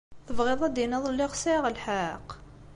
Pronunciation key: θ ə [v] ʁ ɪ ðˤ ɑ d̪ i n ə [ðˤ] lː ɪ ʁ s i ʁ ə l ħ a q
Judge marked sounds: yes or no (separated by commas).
yes, yes